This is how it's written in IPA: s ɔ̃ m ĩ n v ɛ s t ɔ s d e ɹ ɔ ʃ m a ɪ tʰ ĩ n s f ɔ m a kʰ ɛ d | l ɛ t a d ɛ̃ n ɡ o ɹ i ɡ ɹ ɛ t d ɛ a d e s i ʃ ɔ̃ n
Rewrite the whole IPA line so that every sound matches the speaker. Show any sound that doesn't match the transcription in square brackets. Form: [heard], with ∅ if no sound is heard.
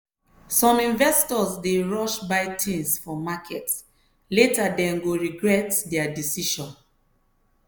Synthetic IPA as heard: s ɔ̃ m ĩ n v ɛ s t ɔ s d e ɹ ɔ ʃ [b] a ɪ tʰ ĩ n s f ɔ m a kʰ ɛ [t] | l [e] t a d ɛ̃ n ɡ o ɹ i ɡ ɹ ɛ t d ɛ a d [i] s i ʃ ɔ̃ n